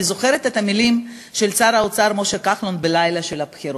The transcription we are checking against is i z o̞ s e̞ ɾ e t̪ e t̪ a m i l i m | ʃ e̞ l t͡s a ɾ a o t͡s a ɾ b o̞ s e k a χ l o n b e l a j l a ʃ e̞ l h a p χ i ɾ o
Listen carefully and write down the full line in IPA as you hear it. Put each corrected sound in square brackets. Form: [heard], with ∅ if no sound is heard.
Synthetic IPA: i z o̞ [χ] e̞ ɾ e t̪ e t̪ a m i l i m | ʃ e̞ l t͡s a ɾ a o t͡s a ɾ [m] o̞ [ʃ] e k a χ l o n b e l a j l a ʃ e̞ l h a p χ i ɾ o